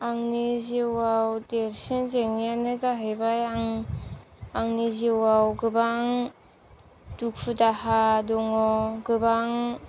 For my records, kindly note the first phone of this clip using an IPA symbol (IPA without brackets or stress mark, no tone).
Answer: a